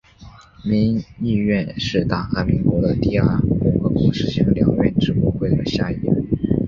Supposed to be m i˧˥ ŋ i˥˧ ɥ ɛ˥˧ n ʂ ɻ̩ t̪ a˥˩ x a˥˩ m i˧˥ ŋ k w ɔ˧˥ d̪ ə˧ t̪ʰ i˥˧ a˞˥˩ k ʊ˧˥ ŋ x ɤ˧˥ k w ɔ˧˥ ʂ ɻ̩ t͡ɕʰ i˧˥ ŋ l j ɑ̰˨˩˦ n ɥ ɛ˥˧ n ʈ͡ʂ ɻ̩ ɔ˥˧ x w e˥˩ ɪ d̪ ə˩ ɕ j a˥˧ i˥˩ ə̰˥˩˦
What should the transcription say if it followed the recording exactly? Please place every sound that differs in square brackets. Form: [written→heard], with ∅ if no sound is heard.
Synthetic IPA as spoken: m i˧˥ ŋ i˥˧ ɥ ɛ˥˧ n ʂ ɻ̩ t̪ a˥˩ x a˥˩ m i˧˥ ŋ k w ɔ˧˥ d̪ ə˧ [t̪ʰ→t̪] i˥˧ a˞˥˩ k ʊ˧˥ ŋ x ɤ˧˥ k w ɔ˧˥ ʂ ɻ̩ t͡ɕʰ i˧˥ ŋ l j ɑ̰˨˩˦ [n→ŋ] ɥ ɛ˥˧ n ʈ͡ʂ ɻ̩ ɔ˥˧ x w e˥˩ ɪ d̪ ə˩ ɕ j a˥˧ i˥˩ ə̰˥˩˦